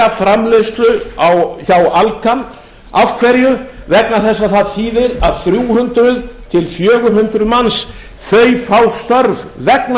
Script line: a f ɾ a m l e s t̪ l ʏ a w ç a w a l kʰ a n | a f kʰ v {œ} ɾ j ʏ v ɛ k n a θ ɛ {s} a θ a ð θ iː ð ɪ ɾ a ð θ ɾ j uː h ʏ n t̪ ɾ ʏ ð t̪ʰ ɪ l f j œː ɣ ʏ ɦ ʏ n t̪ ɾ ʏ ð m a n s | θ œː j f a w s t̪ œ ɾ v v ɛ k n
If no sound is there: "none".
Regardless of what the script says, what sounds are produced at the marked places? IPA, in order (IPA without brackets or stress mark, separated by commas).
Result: ɛ, sː